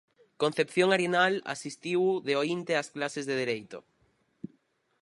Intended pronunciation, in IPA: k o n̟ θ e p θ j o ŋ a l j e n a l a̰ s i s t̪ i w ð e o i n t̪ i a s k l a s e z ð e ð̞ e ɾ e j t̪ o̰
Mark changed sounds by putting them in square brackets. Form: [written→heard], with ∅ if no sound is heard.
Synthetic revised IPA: k o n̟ θ e p θ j o ŋ a [l→ɾ] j e n a l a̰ s i s t̪ i w ð e o i n t̪ [i→e] a s k l a s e z ð e ð̞ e ɾ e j t̪ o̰